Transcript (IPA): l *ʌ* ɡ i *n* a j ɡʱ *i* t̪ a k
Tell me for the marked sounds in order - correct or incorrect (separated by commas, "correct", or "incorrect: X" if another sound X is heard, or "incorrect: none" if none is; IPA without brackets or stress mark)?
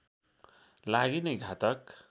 incorrect: a, correct, incorrect: a